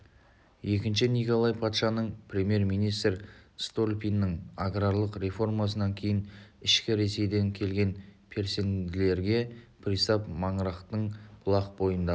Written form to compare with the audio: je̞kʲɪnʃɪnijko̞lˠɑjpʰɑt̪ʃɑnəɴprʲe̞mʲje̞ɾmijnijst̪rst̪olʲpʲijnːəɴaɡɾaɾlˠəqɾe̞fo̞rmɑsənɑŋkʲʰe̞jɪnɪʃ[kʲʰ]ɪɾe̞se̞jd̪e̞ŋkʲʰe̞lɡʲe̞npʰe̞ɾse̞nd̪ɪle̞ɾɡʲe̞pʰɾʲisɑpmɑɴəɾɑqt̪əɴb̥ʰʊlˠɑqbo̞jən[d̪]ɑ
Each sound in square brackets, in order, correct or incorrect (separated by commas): incorrect, correct